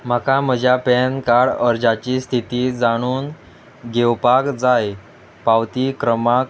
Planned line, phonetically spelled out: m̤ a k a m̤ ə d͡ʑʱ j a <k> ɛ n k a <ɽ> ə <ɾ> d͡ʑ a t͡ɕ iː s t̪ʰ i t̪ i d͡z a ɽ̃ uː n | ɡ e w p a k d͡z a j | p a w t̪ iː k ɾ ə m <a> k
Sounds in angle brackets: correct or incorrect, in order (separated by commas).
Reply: incorrect, correct, correct, correct